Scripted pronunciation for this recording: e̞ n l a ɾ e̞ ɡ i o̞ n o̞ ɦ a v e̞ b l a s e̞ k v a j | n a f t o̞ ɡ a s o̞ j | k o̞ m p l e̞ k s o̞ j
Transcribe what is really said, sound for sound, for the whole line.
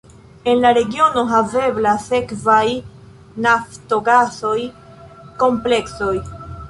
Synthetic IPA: e̞ n l a ɾ e̞ ɡ i o̞ n o̞ ɦ a v e̞ b l a s e̞ k v a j | n a f t o̞ ɡ a s o̞ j | k o̞ m p l e̞ k s o̞ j